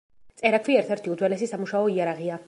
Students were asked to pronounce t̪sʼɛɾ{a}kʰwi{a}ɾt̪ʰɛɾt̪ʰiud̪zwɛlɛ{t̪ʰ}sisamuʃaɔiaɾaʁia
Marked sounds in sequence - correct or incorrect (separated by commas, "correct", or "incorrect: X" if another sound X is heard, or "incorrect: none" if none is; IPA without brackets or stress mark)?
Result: correct, incorrect: ɛ, incorrect: none